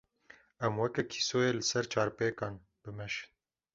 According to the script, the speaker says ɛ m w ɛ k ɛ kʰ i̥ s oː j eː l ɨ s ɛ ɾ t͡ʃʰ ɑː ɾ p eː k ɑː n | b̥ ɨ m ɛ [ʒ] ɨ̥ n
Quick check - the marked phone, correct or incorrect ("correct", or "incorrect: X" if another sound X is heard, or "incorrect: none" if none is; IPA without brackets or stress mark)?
incorrect: ʃ